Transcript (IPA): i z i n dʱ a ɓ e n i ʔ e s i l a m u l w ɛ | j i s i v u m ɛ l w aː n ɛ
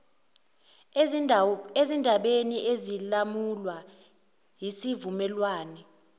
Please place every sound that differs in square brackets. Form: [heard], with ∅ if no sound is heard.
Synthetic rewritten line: [e] z i n dʱ a ɓ e n i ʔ e [z] i l a m u l w [a] | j i s i v u m ɛ l w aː n ɛ